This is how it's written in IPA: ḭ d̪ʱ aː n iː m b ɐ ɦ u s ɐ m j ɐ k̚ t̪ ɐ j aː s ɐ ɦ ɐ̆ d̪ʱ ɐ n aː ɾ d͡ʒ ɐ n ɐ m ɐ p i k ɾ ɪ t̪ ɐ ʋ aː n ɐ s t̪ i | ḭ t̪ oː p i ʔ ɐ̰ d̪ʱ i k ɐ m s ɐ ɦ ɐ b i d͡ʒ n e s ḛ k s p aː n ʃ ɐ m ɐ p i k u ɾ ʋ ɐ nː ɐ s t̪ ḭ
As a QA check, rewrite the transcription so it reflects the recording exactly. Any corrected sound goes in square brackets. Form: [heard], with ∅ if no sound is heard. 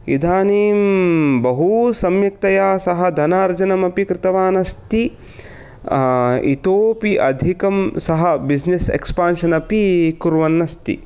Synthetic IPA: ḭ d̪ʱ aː n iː m b ɐ ɦ u s ɐ m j ɐ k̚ t̪ ɐ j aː s ɐ ɦ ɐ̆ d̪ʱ ɐ n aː ɾ d͡ʒ ɐ n ɐ m ɐ p i k ɾ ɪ t̪ ɐ ʋ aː n ɐ s t̪ i | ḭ t̪ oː p i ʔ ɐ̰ d̪ʱ i k ɐ m s ɐ ɦ ɐ b i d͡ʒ n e s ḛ k s p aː n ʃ ɐ [n] ɐ p i k u ɾ ʋ ɐ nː ɐ s t̪ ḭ